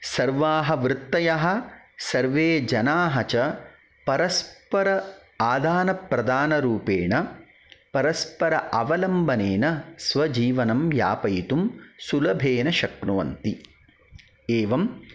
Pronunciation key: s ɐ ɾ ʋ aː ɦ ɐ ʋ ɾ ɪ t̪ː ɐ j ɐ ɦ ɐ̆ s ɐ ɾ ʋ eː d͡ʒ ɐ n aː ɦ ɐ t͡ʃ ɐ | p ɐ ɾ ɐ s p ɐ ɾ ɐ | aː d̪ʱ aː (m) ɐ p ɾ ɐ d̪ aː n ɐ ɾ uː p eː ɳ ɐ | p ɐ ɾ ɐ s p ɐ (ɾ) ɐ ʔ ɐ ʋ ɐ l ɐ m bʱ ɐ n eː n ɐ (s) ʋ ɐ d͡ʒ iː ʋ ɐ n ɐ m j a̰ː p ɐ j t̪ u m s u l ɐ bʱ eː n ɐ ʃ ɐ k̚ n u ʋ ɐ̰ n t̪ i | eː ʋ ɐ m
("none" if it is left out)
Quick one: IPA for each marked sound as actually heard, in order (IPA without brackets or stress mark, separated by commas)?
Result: n, ɾ, s